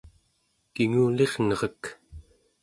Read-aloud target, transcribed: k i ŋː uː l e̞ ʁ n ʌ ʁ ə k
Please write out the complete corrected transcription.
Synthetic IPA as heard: k i ŋ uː l e̞ ʁ n ʌ ʁ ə k